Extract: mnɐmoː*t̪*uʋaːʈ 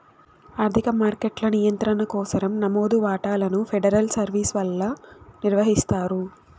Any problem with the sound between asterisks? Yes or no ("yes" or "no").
yes